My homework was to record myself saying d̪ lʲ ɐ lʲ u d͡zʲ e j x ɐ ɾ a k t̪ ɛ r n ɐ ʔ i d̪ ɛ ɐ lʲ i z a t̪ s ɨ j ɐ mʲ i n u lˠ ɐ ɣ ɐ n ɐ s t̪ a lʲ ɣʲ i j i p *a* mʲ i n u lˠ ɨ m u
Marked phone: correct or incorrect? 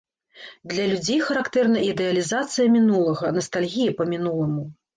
incorrect